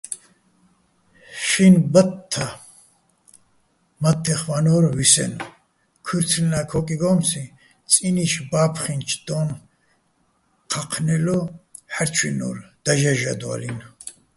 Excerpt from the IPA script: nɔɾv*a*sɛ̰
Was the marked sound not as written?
yes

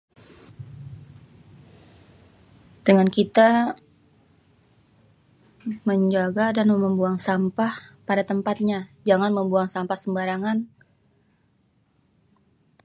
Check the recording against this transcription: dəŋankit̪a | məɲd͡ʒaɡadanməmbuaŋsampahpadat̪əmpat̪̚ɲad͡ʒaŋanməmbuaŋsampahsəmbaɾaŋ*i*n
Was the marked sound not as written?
yes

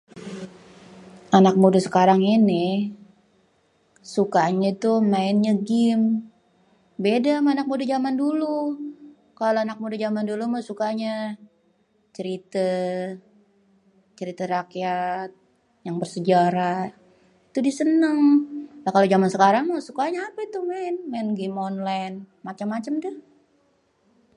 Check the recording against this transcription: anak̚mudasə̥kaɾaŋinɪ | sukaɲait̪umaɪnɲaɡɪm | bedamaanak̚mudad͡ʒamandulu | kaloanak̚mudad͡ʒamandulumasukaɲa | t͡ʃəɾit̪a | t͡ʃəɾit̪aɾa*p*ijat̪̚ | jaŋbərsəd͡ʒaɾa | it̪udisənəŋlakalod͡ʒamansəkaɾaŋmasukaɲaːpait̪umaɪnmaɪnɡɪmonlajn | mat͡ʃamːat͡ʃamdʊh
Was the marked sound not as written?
yes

